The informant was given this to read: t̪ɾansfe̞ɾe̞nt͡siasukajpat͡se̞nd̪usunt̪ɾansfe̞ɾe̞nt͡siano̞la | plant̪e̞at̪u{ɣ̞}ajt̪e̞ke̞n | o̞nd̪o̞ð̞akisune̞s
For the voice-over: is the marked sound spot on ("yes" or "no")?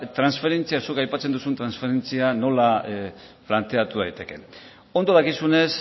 no